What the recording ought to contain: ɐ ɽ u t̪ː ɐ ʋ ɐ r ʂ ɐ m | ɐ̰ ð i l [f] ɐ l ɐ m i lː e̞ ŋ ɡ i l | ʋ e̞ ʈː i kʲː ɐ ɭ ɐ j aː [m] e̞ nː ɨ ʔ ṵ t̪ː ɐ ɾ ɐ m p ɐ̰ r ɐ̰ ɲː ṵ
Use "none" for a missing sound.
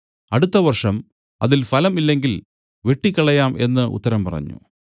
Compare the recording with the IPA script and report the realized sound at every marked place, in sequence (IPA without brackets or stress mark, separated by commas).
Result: f, m